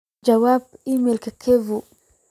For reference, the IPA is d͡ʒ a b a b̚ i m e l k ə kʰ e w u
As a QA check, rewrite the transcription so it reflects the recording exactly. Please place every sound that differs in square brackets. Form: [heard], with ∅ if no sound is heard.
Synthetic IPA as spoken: d͡ʒ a [w] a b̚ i m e l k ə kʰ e [v] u